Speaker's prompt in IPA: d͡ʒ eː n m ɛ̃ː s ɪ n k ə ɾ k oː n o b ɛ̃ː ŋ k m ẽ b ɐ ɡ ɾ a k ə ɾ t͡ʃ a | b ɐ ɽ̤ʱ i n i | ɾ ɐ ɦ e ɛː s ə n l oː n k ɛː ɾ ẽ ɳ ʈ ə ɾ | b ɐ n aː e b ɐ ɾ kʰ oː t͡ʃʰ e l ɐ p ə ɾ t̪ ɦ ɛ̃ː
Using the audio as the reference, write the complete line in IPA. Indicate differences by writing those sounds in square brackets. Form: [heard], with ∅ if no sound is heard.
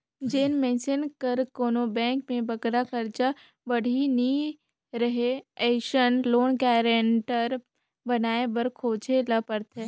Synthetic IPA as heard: d͡ʒ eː n m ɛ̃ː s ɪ n k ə ɾ k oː n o b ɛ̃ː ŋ k m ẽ b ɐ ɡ ɾ a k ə ɾ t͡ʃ a | b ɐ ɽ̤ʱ i n i | ɾ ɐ ɦ e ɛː [ʃ] ə n l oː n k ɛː ɾ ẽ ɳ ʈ ə ɾ | b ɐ n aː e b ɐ ɾ kʰ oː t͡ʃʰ e l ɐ p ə ɾ t̪ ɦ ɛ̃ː